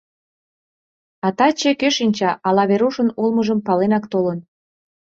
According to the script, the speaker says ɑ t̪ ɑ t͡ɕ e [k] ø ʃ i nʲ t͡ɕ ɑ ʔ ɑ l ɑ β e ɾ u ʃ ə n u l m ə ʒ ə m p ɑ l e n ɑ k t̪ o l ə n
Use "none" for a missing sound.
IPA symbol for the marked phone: k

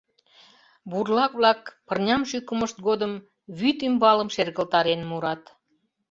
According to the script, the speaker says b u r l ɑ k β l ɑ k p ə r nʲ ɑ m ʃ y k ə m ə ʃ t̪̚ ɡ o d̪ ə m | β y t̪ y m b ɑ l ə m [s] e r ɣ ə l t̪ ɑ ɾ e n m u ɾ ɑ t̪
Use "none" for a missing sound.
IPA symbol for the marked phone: ʃ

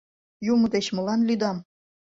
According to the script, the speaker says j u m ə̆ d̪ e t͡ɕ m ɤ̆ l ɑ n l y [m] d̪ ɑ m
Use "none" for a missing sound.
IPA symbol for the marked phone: none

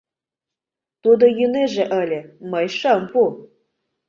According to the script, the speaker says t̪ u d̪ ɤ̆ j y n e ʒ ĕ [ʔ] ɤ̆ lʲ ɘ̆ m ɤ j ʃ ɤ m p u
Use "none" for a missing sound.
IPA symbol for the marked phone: ʔ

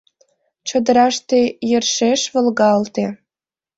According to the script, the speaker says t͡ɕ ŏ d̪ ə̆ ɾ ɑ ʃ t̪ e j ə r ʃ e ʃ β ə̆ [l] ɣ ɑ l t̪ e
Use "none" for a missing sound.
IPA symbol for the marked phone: l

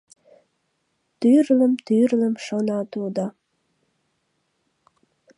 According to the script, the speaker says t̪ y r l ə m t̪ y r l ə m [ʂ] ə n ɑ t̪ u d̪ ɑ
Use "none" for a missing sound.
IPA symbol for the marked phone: ʃ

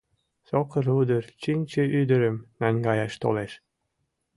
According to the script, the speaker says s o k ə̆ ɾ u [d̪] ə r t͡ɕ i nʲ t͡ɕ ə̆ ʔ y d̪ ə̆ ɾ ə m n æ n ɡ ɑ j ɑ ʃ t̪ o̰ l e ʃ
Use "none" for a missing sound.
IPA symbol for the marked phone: d̪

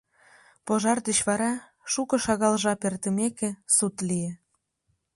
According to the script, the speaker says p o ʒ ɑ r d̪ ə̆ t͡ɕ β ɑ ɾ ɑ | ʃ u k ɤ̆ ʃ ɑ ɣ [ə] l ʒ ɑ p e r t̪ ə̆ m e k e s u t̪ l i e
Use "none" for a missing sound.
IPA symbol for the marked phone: ɑ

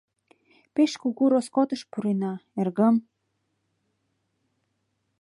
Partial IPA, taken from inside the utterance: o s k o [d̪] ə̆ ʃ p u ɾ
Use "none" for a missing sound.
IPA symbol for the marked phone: t̪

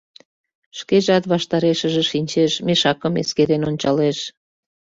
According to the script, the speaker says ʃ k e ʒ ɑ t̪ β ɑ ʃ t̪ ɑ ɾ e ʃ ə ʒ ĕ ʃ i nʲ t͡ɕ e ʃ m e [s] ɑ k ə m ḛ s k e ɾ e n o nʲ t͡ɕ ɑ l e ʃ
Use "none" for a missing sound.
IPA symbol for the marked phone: ʃ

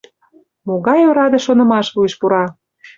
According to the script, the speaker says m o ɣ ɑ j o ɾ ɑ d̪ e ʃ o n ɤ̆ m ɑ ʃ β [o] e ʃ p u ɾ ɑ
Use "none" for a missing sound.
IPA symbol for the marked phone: u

